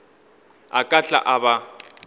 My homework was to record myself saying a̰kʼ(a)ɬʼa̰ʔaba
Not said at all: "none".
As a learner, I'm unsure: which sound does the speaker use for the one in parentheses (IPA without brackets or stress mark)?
a